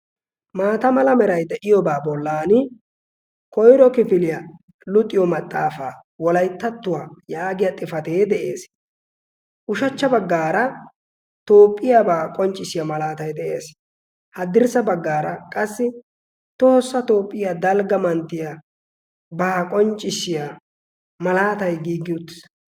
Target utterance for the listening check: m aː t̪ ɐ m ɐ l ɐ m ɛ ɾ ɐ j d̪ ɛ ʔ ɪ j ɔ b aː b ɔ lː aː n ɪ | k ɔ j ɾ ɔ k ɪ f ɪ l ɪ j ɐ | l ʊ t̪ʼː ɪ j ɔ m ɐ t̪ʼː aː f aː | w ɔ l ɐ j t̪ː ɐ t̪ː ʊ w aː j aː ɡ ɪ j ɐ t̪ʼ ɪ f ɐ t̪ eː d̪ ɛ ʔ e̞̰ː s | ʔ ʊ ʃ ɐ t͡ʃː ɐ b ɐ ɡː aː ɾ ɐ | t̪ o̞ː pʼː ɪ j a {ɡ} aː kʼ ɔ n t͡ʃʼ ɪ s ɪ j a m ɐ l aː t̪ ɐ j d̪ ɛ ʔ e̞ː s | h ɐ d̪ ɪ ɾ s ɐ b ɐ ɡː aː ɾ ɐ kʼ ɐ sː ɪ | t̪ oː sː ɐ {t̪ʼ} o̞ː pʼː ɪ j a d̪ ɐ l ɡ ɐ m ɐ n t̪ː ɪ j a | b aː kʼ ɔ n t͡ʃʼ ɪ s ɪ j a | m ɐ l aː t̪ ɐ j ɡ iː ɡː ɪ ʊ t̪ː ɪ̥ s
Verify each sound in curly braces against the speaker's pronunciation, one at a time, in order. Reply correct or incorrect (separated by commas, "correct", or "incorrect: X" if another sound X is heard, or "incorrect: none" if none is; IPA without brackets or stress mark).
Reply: incorrect: b, incorrect: t̪